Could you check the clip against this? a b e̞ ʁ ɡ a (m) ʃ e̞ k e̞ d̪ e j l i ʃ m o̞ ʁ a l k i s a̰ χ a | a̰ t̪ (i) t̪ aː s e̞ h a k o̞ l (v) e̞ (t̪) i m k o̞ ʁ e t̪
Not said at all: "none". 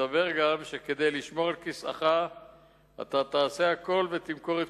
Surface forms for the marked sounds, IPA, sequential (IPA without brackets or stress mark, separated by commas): m, a, v, t̪